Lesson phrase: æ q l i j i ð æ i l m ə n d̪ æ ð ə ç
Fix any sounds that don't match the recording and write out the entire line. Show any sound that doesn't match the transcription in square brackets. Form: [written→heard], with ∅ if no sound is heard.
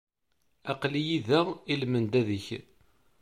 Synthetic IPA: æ q l i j i ð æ i l m ə n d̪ æ ð ə ç